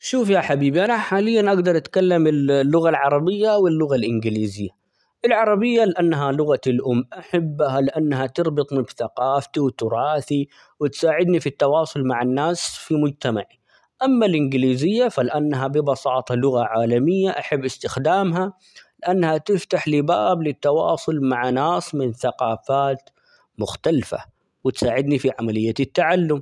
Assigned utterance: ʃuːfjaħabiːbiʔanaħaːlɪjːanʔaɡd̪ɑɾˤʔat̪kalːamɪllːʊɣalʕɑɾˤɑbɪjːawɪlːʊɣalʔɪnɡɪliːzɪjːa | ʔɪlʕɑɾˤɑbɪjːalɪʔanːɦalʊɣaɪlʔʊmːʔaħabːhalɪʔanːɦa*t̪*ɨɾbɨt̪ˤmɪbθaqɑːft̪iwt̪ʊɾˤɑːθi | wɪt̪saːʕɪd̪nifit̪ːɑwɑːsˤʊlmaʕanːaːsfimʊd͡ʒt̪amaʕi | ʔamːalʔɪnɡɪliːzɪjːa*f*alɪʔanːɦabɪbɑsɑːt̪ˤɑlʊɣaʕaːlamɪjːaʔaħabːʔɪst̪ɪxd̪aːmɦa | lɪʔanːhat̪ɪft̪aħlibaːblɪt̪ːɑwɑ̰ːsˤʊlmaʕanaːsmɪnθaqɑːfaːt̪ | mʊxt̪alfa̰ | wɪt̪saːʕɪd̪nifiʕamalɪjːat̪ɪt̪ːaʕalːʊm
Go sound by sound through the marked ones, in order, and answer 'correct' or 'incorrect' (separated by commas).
correct, correct